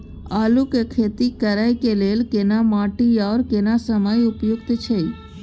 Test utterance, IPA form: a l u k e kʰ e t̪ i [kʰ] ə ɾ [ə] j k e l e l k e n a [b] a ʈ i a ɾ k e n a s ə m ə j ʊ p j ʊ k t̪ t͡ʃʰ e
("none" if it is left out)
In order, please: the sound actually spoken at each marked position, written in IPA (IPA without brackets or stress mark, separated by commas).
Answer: k, a, m